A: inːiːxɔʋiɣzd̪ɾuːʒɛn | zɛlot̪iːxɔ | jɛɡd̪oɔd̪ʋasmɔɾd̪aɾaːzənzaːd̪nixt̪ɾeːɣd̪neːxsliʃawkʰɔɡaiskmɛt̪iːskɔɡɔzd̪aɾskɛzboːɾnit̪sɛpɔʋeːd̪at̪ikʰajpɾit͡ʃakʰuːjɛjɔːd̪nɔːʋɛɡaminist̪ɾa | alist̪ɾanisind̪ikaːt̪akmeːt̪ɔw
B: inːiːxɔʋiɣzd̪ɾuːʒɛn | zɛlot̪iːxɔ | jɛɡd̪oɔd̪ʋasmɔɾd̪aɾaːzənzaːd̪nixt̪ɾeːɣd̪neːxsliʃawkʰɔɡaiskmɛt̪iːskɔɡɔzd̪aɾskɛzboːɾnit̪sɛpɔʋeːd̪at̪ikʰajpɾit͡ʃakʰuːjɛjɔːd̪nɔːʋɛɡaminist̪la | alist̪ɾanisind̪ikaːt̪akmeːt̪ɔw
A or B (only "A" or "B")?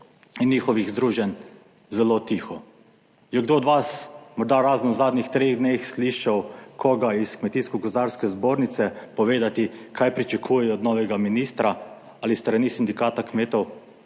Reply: A